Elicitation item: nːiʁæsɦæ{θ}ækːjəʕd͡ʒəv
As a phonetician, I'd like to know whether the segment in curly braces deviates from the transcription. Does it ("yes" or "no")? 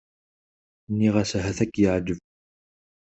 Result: no